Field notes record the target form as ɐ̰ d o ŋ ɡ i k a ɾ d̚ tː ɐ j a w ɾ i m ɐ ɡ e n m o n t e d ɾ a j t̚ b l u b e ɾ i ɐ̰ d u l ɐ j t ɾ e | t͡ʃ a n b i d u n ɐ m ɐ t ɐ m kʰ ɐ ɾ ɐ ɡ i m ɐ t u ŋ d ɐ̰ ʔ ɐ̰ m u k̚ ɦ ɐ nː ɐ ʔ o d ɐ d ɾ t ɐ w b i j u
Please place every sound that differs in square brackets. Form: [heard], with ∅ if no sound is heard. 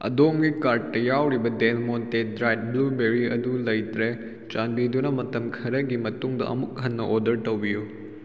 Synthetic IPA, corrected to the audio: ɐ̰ d o [m] ɡ i k a ɾ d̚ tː ɐ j a w ɾ i [b] ɐ [d] e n m o n t e d ɾ a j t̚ b l u b e ɾ i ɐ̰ d u l ɐ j t ɾ e | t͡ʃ a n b i d u n ɐ m ɐ t ɐ m kʰ ɐ ɾ ɐ ɡ i m ɐ t u ŋ d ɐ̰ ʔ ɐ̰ m u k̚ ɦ ɐ nː ɐ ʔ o d ɐ [∅] ɾ t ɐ w b i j u